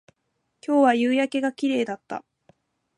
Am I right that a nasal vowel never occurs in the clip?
yes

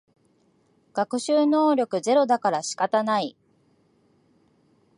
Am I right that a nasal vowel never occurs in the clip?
yes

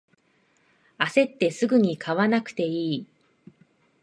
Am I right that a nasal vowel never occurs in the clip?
yes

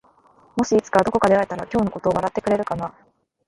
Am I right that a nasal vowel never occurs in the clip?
yes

